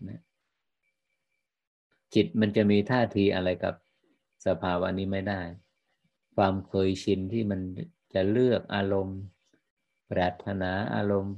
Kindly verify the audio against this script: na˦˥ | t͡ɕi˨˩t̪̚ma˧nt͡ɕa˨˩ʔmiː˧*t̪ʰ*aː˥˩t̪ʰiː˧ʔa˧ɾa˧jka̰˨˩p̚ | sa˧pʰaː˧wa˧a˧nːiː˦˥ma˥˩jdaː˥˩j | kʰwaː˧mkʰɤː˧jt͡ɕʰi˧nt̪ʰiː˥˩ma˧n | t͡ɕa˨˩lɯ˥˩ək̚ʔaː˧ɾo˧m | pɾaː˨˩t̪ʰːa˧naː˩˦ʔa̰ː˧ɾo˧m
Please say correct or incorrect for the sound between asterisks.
correct